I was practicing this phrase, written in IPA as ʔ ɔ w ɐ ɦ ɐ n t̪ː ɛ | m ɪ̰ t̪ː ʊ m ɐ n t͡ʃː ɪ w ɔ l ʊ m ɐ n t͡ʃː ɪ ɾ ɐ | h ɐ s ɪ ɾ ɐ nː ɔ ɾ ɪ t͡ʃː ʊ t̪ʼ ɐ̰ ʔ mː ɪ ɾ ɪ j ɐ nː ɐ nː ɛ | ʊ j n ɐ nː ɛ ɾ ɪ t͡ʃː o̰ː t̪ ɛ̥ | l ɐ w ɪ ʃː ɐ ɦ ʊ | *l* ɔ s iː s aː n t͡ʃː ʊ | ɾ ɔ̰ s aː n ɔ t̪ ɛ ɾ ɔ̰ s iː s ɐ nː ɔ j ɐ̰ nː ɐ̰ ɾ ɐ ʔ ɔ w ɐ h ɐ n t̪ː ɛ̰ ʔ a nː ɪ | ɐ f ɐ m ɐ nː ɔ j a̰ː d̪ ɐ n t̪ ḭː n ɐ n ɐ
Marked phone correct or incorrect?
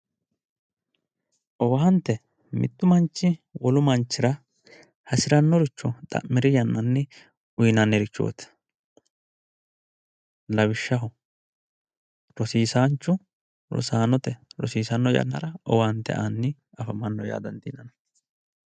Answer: incorrect: ɾ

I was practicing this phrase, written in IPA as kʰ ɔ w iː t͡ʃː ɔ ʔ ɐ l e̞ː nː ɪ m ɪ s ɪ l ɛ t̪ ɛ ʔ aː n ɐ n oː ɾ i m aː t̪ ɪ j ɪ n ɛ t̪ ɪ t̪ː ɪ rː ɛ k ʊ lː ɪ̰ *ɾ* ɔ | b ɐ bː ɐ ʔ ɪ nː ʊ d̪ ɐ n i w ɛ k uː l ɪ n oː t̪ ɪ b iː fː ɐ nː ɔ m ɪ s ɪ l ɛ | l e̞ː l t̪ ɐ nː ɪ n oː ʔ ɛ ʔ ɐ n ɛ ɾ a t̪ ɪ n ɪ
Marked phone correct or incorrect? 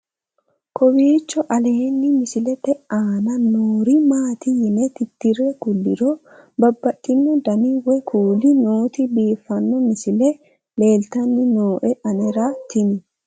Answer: correct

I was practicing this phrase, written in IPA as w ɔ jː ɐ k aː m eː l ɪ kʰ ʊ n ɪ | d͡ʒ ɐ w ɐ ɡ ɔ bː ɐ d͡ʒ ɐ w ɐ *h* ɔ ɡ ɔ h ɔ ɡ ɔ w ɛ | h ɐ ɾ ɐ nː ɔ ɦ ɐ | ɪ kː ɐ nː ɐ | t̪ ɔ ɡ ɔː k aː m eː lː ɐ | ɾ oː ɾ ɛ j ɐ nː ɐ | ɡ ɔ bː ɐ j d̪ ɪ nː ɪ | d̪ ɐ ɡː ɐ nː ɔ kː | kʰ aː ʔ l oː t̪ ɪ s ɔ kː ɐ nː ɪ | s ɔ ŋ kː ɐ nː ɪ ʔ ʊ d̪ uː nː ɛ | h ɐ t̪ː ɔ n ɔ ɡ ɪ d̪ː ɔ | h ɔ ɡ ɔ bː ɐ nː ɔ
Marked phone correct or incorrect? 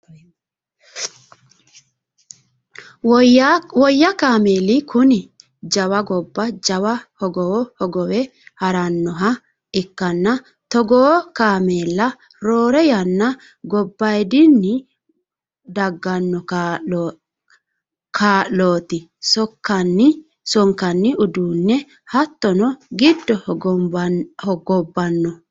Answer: correct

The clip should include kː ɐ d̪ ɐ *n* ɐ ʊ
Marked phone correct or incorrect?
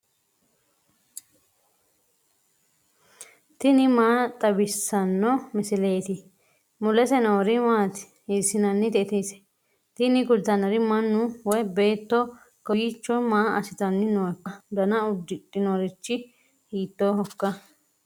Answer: correct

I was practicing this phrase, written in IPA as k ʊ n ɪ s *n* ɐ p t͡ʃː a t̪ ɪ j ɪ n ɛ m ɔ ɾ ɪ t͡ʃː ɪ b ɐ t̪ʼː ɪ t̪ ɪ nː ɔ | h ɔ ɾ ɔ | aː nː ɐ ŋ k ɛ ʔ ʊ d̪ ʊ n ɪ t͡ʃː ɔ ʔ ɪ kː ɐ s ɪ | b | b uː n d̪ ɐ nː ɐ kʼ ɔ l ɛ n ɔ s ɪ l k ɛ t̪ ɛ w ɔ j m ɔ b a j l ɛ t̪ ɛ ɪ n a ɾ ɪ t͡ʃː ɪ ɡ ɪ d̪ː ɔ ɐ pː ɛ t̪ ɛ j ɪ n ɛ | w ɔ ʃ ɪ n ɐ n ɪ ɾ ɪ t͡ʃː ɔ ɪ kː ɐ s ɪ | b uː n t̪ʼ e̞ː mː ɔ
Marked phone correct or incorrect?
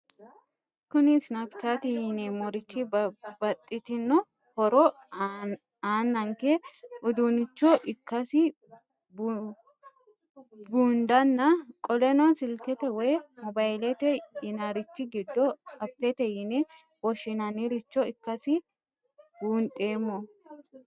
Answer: correct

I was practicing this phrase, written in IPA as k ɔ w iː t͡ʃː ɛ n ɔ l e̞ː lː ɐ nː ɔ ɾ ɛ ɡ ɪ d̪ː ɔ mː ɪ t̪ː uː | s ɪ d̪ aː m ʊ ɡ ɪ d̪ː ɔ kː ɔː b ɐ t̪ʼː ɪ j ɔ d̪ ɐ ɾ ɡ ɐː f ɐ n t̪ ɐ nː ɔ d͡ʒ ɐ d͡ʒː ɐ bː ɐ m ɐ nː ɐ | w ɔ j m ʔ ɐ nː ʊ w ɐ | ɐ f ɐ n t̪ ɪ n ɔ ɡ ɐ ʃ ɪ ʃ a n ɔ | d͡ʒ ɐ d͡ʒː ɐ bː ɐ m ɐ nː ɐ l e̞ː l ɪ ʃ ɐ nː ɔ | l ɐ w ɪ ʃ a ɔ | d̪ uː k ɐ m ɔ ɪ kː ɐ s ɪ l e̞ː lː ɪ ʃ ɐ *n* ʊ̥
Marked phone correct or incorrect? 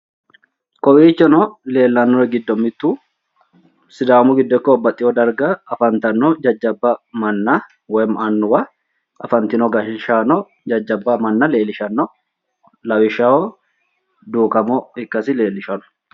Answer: correct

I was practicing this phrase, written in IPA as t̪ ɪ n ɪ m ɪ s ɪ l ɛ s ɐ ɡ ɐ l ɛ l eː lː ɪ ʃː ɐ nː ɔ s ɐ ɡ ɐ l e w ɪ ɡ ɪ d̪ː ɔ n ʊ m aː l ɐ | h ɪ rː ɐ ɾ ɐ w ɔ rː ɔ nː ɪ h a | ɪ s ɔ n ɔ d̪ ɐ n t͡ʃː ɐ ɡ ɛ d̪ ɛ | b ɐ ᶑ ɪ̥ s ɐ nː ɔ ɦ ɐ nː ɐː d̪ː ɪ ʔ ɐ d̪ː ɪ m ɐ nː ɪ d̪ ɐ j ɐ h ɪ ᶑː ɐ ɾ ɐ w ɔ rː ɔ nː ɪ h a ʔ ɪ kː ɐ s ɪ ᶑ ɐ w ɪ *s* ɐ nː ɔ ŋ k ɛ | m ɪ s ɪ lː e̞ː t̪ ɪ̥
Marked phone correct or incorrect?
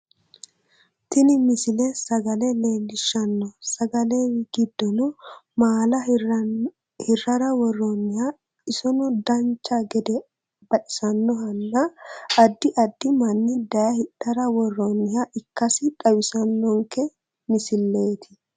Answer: correct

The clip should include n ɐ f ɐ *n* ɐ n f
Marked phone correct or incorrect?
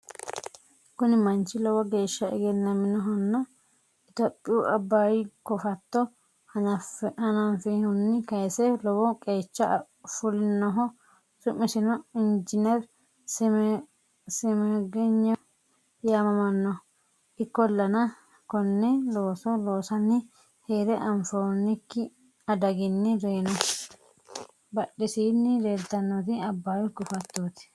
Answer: correct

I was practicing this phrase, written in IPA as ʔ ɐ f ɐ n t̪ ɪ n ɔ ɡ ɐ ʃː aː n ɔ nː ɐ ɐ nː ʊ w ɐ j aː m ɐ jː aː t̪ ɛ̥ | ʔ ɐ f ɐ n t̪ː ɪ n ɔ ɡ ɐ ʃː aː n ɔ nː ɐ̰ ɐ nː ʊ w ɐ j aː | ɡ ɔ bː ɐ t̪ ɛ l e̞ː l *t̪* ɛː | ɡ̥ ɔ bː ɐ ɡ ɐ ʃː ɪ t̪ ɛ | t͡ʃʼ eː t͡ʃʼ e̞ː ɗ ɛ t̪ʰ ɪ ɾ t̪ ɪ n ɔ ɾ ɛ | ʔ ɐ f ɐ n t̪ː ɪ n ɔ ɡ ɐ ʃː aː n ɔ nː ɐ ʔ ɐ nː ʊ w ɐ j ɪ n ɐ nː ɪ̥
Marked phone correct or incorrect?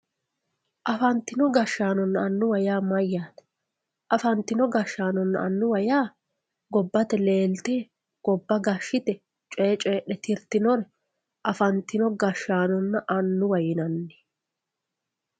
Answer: correct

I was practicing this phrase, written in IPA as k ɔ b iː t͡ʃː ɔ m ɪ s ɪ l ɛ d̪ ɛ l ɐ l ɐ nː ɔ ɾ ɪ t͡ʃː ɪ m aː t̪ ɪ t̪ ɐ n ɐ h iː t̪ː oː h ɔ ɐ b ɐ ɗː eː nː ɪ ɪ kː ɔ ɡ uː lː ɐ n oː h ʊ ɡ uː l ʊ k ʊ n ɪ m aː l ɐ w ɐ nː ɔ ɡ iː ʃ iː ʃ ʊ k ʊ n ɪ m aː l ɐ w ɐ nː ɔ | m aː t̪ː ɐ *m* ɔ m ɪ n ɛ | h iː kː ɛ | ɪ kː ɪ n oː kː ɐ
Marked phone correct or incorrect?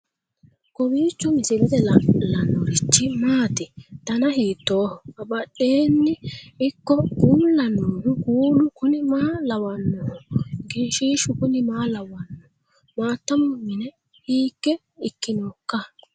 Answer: correct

